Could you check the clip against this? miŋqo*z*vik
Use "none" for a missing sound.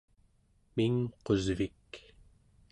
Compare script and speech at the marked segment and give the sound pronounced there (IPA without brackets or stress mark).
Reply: z